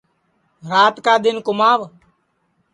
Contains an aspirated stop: no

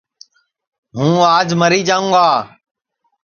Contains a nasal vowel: yes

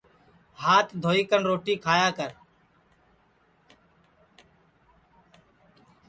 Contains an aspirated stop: yes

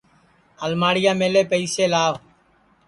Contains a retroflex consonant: yes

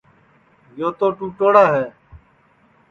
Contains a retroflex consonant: yes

